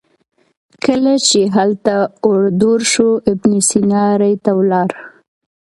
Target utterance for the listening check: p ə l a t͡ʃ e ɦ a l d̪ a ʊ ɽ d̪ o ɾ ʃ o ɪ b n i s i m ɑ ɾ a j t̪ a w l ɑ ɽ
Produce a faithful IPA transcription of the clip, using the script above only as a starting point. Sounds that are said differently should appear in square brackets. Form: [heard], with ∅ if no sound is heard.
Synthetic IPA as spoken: [k] ə l a t͡ʃ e ɦ a l [t̪] a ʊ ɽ d̪ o ɾ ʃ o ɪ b n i s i [n] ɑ ɾ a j t̪ a w l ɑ [ɾ]